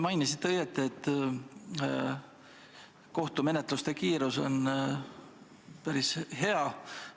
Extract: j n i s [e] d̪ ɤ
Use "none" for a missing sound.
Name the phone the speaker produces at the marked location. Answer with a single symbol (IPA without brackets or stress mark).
i